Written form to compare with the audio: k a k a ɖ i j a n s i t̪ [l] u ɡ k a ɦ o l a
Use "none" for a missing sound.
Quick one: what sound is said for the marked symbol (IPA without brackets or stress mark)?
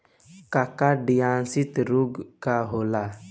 ɾ